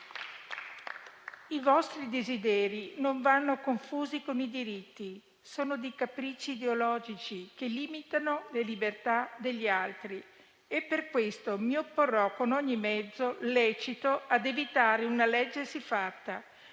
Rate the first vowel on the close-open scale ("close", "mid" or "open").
close